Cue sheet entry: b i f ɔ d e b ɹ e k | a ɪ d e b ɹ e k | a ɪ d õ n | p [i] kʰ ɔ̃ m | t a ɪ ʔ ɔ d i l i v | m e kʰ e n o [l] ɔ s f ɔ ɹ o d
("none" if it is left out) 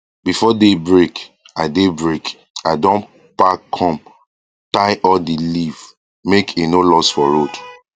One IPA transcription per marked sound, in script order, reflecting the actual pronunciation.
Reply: a, l

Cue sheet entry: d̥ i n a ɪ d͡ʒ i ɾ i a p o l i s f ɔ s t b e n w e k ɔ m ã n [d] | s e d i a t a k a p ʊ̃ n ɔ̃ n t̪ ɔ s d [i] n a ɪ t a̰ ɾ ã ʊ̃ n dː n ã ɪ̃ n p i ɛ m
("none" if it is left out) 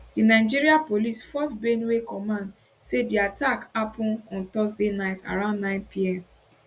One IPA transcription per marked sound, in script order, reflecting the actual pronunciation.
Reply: d, e

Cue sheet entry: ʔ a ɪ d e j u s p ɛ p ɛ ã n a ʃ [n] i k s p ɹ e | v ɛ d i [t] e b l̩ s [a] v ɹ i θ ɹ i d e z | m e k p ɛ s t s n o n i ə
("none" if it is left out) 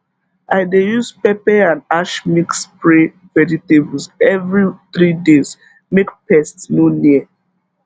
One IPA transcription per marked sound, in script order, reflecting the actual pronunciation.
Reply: m, t, ɛ

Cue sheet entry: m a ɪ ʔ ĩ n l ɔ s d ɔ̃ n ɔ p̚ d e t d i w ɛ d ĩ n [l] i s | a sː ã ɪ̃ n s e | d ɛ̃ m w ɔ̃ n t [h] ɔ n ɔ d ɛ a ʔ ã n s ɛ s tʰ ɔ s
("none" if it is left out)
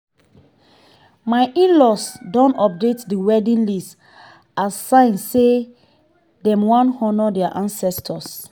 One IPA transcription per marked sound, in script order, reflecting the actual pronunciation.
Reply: l, h

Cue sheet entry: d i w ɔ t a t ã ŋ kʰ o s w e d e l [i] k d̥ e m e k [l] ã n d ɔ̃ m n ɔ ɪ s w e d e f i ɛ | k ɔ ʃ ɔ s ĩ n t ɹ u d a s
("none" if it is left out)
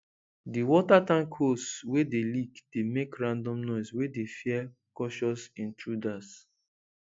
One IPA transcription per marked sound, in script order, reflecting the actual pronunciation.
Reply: i, ɹ

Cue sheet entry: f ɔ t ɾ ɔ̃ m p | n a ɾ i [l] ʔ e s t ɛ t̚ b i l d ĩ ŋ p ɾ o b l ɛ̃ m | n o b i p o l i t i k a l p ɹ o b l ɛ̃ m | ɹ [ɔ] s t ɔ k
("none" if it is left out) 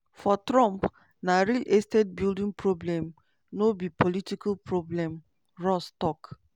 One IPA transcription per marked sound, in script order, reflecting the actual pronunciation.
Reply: l, ɔ

